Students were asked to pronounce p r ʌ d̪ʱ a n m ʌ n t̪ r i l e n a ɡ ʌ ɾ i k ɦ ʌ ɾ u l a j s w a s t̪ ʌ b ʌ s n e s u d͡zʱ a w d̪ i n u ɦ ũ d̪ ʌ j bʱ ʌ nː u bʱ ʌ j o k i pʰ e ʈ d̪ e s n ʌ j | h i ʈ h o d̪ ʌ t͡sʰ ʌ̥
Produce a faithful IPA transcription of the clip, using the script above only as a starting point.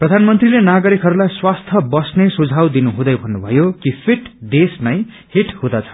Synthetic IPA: p r ʌ d̪ʱ a n m ʌ n t̪ r i l e n a ɡ ʌ ɾ i k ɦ ʌ ɾ u l a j s w a s t̪ʰ ʌ b ʌ s n e s u d͡zʱ a w d̪ i n u ɦ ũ d̪ ʌ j bʱ ʌ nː u bʱ ʌ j o k i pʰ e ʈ d̪ e s n ʌ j | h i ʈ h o d̪ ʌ t͡sʰ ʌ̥